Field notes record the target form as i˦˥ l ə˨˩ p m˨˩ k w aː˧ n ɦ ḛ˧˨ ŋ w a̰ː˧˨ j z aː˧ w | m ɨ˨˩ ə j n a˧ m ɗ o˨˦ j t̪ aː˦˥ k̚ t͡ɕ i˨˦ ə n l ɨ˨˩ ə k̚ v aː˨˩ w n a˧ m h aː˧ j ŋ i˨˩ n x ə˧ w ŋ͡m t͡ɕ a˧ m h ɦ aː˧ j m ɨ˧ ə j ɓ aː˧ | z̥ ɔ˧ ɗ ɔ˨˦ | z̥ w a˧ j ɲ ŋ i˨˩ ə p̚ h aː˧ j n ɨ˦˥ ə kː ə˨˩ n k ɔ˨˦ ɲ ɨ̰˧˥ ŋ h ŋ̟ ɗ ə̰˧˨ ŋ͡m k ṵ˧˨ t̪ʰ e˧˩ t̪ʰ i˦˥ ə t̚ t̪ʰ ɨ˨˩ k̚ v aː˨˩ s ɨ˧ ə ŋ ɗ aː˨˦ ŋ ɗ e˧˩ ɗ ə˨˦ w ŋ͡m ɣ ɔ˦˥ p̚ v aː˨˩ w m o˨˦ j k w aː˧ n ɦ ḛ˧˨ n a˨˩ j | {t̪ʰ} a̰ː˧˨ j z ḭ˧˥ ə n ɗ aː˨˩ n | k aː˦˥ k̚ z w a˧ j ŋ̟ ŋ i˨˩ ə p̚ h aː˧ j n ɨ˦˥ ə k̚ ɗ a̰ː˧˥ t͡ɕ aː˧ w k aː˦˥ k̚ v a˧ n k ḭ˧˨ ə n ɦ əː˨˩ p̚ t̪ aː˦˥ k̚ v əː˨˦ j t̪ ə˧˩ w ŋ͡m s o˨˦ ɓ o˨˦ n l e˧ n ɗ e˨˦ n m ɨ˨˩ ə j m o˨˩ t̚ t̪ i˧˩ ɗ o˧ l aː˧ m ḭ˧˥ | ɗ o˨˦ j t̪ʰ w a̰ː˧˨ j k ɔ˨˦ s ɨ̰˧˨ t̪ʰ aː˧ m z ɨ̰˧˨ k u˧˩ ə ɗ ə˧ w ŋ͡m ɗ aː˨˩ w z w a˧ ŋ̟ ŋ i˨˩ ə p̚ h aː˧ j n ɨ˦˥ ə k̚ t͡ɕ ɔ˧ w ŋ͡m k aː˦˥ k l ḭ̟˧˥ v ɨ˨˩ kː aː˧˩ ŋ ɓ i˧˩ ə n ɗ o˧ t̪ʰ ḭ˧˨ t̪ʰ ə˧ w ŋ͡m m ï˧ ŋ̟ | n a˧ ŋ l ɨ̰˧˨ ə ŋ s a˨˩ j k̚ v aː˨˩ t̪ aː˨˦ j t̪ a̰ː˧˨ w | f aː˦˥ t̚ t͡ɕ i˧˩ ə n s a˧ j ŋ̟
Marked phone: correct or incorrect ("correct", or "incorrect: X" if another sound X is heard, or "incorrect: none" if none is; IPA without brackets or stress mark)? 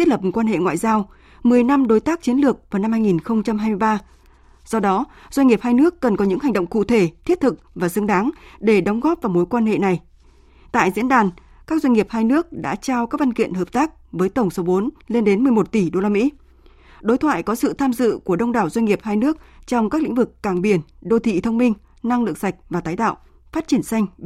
incorrect: t̪